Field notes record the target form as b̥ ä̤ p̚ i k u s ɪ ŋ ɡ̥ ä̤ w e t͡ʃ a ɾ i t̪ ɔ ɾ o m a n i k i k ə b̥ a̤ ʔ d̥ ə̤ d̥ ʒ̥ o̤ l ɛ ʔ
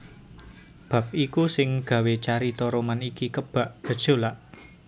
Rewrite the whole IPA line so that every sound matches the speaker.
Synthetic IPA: b̥ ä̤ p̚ i k u s ɪ ŋ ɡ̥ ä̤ w e t͡ʃ a ɾ i t̪ ɔ ɾ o m a n i k i k ə b̥ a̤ ʔ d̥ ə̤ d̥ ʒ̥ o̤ l a ʔ